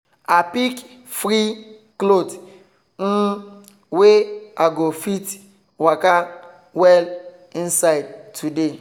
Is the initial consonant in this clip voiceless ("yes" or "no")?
yes